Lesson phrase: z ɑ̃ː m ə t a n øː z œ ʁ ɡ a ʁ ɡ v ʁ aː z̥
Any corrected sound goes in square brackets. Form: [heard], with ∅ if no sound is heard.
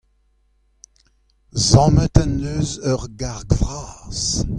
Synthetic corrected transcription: z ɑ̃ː m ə t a n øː z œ ʁ ɡ a ʁ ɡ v ʁ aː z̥